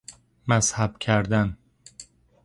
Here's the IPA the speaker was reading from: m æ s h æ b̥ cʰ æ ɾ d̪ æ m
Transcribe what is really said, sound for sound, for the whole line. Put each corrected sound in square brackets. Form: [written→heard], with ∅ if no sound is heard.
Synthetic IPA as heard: m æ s h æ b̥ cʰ æ ɾ d̪ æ [m→n]